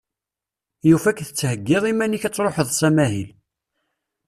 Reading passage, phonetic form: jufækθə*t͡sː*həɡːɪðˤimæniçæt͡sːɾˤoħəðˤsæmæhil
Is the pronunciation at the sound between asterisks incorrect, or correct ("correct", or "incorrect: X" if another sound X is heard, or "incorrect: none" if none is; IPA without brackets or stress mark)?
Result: correct